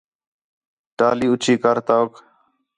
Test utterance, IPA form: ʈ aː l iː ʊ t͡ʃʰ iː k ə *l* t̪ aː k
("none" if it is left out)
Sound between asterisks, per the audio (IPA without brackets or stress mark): ɾ